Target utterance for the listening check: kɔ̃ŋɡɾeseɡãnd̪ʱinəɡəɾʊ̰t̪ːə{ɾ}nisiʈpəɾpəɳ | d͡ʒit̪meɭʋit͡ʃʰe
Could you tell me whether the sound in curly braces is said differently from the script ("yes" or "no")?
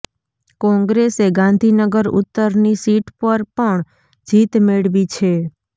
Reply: no